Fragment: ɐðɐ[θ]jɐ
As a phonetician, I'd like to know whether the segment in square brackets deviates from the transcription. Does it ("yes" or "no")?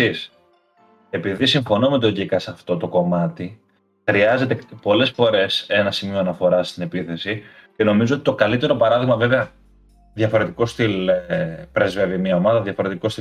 yes